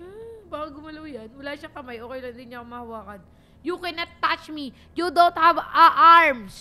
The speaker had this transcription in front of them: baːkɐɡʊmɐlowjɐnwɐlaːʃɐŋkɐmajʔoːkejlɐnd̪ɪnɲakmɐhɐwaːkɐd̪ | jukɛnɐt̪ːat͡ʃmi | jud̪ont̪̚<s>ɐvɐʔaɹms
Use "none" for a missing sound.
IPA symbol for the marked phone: h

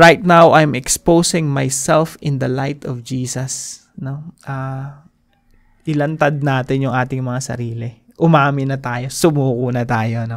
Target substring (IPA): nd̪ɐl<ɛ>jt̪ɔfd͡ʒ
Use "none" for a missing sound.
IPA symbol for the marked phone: a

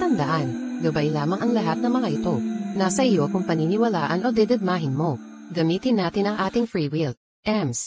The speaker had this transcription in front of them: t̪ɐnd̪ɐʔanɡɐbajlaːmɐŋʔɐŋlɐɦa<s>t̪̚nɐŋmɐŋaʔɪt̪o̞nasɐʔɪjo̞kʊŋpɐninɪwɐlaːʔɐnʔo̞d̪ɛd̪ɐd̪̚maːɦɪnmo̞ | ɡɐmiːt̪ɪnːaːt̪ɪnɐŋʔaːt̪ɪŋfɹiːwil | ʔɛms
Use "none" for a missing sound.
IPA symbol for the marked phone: none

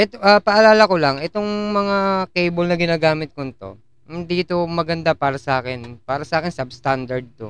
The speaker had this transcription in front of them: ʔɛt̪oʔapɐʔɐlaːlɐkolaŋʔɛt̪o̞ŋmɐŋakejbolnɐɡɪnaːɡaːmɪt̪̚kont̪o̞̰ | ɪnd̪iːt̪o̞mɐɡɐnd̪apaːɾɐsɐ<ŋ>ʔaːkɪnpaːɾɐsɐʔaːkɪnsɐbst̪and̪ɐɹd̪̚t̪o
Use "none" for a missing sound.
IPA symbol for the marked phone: none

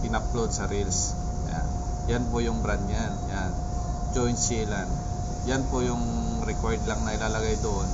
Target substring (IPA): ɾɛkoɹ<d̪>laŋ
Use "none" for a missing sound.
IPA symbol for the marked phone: d̪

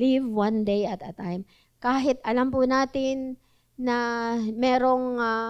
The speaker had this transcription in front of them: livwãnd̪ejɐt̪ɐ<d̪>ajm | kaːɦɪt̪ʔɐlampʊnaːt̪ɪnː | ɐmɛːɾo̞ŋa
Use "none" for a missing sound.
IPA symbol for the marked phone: t̪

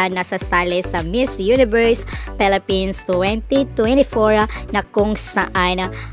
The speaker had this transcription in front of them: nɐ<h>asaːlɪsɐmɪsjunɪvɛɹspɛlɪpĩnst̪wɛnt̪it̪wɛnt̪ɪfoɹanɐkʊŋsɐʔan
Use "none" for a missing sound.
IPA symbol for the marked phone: s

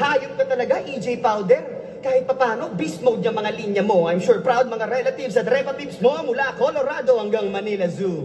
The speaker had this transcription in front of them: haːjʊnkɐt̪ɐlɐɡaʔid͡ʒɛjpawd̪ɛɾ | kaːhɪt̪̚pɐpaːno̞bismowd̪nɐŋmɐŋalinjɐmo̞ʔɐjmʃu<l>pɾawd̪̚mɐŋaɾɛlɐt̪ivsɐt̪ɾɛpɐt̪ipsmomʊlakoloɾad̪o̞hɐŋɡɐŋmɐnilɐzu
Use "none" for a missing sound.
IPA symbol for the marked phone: ɹ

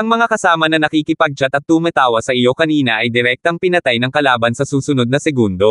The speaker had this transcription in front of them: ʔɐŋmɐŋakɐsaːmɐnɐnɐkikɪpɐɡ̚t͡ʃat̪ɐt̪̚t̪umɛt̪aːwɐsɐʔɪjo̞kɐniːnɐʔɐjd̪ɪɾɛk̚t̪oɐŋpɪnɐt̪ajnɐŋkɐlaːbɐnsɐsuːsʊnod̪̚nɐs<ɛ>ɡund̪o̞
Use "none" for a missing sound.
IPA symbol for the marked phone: ɛ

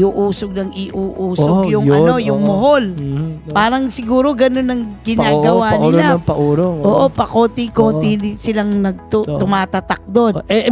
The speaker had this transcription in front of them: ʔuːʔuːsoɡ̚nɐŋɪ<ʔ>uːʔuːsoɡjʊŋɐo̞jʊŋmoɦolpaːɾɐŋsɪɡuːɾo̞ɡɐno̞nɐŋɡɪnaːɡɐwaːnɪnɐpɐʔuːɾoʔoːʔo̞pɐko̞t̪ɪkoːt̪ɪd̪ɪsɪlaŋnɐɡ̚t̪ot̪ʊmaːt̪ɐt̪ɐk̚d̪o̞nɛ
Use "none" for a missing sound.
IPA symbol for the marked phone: ʔ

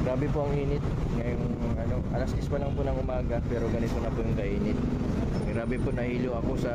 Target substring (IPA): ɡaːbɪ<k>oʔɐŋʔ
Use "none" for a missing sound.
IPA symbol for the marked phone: p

